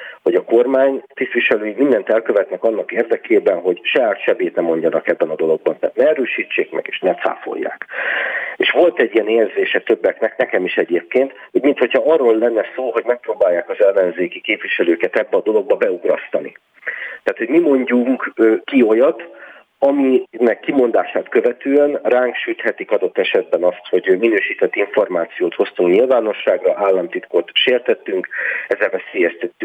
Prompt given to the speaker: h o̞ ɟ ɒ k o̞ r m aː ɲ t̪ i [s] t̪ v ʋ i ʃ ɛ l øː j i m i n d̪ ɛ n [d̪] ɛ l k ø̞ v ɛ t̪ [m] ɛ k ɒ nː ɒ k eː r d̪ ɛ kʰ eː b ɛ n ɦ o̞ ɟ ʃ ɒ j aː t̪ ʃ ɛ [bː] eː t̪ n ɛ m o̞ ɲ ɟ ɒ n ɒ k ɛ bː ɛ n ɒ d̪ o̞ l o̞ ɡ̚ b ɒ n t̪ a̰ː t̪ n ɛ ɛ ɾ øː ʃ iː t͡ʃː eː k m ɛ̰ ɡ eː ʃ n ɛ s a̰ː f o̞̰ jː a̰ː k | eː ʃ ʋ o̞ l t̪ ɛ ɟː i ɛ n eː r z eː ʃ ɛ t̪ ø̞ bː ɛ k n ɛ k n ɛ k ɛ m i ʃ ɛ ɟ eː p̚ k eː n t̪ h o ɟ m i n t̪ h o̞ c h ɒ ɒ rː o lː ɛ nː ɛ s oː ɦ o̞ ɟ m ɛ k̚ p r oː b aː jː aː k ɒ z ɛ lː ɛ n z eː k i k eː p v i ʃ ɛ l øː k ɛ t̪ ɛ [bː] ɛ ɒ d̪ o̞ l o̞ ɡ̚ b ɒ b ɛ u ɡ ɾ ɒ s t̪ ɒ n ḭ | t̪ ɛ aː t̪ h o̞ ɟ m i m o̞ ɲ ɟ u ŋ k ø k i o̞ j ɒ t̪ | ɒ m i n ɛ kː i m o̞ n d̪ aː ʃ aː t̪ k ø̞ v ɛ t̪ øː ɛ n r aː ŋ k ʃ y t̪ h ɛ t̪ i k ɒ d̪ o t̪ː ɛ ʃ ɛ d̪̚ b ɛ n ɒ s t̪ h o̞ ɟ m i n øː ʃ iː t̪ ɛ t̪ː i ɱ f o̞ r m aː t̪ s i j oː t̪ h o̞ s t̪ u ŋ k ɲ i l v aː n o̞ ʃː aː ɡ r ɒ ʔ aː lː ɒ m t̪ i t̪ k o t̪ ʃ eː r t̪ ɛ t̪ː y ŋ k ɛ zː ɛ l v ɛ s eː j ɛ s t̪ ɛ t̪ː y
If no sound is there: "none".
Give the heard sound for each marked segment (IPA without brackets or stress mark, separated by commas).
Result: s, t̪, n, b, bː